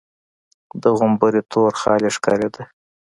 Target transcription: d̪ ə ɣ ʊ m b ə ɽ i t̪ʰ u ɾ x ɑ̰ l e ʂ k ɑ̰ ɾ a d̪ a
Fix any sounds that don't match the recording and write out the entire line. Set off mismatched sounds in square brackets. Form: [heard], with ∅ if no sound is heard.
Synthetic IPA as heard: d̪ ə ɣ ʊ m b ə [ɾ] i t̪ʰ [o] ɾ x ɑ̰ l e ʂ k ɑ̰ ɾ [e] d̪ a